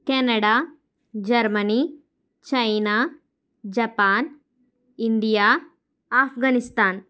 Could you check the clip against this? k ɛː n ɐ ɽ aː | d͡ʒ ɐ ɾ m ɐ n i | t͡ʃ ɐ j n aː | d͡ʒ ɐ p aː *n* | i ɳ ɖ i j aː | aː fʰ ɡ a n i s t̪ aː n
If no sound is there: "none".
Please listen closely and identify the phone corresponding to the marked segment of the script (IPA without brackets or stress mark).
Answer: n